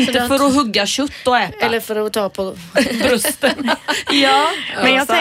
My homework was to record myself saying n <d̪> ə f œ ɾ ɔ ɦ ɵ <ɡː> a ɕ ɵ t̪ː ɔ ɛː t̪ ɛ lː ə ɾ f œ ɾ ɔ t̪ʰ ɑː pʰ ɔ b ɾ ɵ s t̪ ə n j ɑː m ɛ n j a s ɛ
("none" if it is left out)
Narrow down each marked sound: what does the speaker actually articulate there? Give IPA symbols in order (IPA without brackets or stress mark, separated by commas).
t̪, ɡː